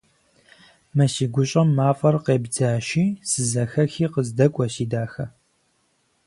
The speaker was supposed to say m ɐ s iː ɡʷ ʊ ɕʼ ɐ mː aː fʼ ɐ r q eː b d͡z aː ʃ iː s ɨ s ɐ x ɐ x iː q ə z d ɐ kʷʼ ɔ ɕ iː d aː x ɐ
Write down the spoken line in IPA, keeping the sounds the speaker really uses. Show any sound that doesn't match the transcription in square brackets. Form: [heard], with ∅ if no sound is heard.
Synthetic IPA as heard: m ɐ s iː ɡʷ ʊ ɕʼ ɐ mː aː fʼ ɐ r q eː b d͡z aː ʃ iː s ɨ [z] ɐ x ɐ x iː q ə z d ɐ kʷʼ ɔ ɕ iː d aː x ɐ